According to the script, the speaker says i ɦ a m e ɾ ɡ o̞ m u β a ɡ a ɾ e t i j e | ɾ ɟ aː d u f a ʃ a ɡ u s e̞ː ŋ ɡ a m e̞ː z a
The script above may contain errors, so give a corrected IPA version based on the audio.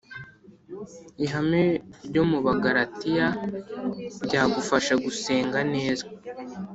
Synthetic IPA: i ɦ a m e ɾ ɟ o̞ m u β a ɡ a ɾ a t i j a | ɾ ɟ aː ɡ u f a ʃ a ɡ u s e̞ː ŋ ɡ a n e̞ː z a